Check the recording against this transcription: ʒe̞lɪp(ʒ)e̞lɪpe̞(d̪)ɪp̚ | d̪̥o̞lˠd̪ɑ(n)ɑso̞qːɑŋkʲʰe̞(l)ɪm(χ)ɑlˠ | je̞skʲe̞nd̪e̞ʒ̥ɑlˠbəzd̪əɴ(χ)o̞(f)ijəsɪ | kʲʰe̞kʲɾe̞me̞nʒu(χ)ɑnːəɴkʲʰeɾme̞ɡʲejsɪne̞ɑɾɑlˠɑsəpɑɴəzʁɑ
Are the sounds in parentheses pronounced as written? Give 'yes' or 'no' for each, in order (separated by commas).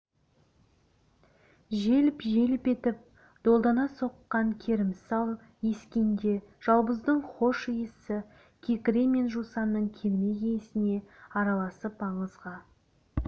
yes, no, yes, no, no, yes, no, no